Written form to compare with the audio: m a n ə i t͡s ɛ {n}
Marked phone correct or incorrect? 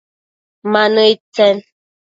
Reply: correct